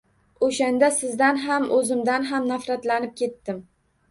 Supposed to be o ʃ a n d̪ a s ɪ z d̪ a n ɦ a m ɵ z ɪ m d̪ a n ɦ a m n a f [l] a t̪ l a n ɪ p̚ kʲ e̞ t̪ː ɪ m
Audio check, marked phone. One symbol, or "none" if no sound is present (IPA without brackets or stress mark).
ɾ